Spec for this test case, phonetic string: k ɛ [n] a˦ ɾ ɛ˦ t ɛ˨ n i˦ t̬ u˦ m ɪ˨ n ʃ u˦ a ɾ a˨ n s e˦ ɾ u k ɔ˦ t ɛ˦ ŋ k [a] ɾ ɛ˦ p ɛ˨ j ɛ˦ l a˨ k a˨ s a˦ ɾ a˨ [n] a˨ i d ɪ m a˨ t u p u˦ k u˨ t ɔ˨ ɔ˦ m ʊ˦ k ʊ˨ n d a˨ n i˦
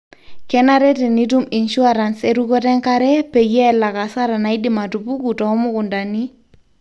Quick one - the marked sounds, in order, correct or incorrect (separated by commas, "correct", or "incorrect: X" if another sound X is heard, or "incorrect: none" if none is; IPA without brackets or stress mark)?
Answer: correct, correct, correct